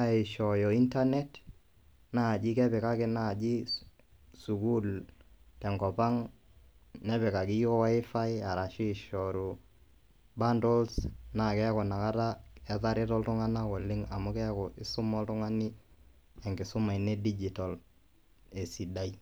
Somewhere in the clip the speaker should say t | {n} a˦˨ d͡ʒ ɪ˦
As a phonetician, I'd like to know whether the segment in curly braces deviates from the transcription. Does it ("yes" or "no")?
no